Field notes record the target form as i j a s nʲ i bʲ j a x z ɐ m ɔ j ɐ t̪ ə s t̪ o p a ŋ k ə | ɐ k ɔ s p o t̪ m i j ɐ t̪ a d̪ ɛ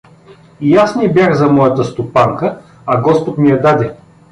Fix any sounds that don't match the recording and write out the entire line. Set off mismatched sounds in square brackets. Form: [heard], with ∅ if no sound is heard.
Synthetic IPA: i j a s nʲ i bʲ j a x z ɐ m ɔ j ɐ t̪ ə s t̪ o p a ŋ k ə | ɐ [ɡ] ɔ s p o t̪ m i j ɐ [d̪] a d̪ ɛ